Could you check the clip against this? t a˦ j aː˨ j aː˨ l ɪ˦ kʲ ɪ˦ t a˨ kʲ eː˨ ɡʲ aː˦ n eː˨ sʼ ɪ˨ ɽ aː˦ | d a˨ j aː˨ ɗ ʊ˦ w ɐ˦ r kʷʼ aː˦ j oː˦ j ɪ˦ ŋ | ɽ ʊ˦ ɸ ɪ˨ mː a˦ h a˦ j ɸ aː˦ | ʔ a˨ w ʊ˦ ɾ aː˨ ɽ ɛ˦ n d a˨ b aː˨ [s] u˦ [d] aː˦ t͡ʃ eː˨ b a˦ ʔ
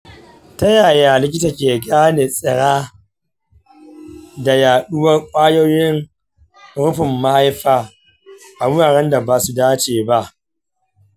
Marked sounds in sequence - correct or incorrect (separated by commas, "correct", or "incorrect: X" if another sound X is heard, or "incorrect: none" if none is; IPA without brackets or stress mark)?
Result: correct, correct